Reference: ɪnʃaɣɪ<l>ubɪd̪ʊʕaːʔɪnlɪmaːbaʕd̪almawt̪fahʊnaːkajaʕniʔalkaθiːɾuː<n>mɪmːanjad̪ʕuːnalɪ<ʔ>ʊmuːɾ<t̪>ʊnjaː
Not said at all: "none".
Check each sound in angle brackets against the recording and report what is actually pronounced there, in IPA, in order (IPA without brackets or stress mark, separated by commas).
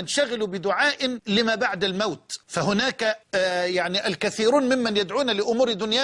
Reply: l, n, ʔ, d̪